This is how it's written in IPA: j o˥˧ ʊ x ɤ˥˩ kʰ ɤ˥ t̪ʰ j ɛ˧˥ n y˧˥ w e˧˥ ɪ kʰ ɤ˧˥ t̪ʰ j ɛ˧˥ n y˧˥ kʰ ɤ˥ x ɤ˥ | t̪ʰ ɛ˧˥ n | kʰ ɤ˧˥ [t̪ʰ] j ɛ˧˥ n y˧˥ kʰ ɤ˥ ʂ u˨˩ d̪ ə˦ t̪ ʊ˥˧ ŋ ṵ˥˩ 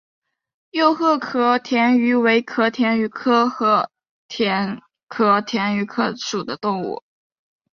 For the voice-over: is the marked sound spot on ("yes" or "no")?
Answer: yes